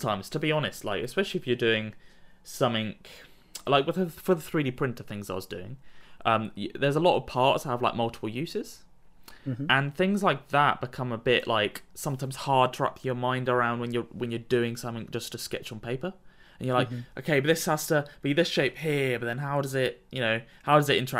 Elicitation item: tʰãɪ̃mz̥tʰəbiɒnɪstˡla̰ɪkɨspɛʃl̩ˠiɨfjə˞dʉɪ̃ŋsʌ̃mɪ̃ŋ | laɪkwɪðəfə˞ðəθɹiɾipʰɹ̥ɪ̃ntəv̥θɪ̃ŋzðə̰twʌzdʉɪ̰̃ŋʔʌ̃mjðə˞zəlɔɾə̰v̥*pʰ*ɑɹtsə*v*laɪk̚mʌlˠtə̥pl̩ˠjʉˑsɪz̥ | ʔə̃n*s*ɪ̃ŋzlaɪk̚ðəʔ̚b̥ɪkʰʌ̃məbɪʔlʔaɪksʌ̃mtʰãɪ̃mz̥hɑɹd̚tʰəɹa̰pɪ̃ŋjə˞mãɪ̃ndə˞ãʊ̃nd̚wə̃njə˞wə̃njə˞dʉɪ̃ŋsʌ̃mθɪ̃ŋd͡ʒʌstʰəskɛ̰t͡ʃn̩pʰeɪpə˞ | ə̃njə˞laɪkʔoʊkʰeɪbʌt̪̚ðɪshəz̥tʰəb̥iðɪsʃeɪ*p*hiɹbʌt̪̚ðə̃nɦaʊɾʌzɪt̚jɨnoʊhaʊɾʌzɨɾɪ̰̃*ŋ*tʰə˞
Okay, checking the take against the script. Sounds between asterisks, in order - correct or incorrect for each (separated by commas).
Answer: correct, correct, incorrect, correct, incorrect